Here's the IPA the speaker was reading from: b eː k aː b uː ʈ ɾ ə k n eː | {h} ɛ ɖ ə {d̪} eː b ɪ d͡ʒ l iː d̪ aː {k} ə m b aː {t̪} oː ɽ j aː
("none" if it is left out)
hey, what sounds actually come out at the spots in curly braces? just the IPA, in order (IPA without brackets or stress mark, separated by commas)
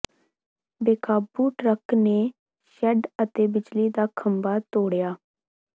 ʃ, t̪, kʰ, t̪